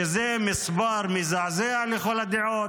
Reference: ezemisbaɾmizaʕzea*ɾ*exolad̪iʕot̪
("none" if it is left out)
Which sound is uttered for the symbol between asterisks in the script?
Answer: l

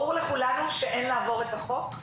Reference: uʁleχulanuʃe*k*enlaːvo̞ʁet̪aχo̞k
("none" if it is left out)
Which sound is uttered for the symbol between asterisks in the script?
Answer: ʔ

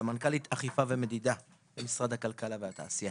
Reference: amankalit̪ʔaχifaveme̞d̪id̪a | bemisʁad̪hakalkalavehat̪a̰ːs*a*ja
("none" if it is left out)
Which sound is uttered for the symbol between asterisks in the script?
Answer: i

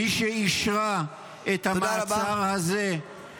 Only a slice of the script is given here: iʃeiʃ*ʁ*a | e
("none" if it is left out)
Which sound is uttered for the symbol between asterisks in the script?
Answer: ʁ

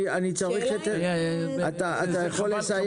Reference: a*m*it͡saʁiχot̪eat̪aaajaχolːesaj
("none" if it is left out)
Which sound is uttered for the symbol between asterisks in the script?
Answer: n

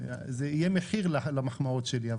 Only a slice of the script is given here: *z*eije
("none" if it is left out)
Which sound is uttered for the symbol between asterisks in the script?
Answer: z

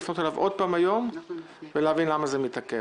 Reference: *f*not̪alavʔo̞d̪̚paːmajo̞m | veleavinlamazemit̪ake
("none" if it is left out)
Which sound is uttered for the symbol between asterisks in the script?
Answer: f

